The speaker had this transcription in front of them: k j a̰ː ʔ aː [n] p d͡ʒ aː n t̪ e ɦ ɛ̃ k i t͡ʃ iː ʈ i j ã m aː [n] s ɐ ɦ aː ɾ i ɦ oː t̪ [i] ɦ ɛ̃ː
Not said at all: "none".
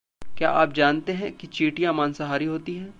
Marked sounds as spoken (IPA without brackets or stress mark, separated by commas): none, n, i